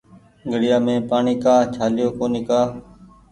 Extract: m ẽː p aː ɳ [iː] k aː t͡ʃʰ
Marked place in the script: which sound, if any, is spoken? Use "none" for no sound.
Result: iː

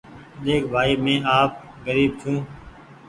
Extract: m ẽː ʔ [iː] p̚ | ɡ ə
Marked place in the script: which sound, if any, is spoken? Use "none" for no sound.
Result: aː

